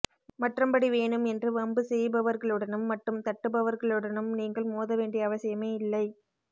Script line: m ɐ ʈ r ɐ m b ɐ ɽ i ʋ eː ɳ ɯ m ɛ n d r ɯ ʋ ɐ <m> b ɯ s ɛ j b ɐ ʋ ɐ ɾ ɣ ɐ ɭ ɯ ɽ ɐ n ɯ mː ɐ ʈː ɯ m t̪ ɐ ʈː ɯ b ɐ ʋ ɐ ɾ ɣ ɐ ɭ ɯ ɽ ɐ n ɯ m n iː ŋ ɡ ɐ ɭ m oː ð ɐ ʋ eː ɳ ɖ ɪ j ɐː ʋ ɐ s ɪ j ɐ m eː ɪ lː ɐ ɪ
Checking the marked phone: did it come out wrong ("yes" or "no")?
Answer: no